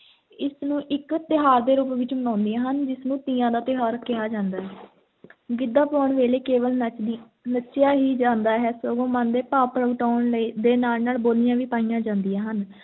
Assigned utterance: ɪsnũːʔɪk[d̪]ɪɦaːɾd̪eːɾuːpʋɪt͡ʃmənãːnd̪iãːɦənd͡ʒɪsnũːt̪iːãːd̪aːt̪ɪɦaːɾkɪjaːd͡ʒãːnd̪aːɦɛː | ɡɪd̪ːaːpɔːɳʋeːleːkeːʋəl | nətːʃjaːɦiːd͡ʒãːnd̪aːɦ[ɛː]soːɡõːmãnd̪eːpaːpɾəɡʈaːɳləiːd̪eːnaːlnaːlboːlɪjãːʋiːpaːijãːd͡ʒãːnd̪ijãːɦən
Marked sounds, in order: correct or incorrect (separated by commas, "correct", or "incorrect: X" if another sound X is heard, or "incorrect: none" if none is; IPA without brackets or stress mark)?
incorrect: t̪, correct